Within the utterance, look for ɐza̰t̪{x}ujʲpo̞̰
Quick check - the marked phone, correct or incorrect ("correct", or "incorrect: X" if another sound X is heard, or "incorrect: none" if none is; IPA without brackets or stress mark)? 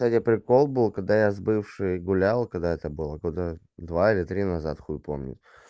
correct